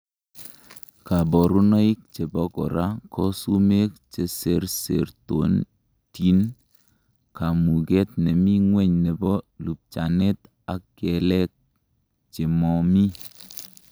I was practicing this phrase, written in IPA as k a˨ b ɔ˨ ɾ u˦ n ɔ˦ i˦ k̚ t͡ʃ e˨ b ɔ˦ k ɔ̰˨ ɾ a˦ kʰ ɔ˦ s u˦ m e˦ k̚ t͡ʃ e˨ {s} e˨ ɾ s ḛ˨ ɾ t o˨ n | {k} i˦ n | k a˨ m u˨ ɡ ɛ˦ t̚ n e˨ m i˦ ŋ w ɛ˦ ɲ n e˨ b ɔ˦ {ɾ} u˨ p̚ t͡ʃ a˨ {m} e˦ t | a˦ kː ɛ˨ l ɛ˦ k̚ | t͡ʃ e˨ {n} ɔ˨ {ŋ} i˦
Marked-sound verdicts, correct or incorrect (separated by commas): correct, incorrect, incorrect, incorrect, incorrect, incorrect